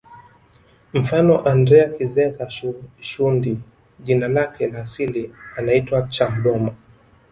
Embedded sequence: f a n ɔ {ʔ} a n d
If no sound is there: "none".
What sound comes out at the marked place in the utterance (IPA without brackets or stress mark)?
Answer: ʔ